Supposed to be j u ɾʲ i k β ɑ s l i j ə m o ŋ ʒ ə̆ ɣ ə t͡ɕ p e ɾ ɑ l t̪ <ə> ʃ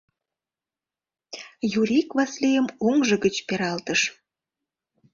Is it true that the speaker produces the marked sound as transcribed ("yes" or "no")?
yes